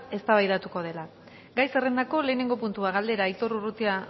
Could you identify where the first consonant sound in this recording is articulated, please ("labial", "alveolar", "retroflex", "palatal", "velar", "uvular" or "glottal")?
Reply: alveolar